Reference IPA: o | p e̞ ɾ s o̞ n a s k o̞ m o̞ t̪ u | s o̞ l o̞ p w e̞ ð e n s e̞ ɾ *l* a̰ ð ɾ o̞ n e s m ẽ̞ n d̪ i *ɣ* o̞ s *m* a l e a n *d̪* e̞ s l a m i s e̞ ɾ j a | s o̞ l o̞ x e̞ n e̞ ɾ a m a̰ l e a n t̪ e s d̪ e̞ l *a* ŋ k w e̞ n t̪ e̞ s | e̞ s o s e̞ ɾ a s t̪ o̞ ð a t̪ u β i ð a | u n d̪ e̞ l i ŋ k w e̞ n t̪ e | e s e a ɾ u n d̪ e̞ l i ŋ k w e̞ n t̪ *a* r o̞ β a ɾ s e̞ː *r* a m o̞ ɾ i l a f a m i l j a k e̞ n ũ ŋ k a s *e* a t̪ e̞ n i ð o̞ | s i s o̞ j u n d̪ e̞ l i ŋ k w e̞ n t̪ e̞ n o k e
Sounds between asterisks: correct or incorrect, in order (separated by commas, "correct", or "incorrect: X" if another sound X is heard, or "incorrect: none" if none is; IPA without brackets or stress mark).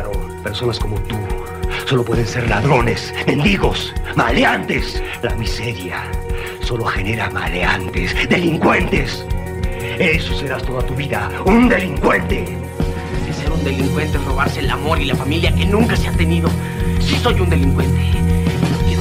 correct, correct, correct, incorrect: t̪, incorrect: i, incorrect: e, incorrect: l, correct